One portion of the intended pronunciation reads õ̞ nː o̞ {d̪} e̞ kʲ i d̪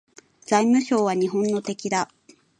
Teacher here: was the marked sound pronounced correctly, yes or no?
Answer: no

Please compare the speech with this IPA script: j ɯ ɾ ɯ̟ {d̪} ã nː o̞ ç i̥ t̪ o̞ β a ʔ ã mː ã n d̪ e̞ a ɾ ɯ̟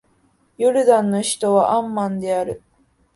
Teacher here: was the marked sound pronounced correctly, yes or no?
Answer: yes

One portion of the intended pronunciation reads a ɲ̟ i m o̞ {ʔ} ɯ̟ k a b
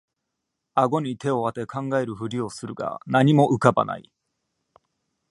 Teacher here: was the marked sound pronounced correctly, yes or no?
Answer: yes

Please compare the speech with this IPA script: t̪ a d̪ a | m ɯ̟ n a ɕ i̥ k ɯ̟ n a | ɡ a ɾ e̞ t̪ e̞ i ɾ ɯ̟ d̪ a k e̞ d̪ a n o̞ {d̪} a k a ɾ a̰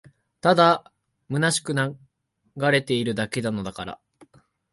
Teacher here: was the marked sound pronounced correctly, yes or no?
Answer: yes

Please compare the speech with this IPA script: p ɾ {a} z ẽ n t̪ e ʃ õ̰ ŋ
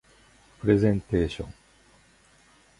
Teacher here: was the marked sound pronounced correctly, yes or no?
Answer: no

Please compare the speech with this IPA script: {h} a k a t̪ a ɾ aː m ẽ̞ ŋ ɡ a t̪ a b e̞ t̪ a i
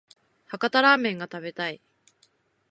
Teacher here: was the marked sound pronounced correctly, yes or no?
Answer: yes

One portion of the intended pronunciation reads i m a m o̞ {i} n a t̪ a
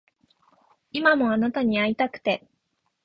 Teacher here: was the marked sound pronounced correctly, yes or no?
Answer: no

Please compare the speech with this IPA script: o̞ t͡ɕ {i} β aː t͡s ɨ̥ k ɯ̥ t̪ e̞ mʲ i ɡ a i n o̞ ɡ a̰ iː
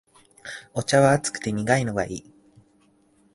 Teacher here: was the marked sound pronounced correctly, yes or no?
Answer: no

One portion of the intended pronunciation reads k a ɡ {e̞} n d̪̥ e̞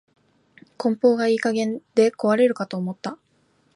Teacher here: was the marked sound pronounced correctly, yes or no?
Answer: no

